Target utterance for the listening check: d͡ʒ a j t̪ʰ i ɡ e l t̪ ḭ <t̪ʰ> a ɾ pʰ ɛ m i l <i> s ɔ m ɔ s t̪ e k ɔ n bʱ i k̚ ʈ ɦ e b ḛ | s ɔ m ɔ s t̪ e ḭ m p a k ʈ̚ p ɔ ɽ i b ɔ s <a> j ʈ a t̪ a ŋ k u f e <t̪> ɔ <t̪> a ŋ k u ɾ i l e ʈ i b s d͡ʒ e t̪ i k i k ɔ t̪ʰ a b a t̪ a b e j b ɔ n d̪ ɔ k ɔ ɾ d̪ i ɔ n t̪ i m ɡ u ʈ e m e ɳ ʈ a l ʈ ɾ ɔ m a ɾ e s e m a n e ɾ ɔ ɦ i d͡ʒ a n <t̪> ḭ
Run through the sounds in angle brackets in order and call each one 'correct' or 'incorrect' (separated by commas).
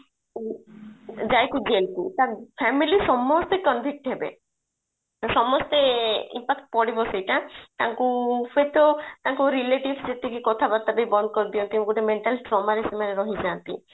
incorrect, correct, incorrect, correct, correct, correct